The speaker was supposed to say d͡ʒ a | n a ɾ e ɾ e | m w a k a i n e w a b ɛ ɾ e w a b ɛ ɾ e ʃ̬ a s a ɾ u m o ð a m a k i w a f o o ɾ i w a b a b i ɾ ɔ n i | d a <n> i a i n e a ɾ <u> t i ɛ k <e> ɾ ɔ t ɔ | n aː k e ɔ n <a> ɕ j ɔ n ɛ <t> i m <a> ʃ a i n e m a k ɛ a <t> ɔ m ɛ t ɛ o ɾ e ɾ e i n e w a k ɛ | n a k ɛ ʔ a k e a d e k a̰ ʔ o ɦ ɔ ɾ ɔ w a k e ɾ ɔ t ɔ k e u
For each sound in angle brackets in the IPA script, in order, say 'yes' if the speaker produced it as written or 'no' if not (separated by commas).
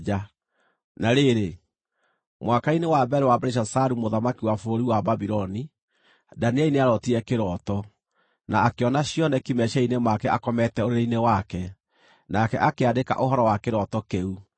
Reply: yes, no, yes, yes, no, no, no